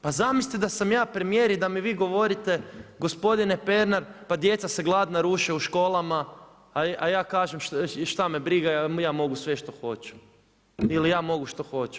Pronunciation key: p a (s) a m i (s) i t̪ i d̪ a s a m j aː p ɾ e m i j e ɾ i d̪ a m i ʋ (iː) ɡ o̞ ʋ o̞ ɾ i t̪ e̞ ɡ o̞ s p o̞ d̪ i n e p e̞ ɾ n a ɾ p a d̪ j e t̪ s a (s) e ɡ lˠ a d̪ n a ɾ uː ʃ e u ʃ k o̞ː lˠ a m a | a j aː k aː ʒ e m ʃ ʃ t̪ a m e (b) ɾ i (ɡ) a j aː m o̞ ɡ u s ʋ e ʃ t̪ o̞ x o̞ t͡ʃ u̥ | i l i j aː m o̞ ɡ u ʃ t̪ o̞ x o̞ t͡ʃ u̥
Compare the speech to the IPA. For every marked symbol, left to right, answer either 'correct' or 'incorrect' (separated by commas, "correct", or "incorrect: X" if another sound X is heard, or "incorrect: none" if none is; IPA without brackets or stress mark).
incorrect: z, correct, correct, correct, correct, correct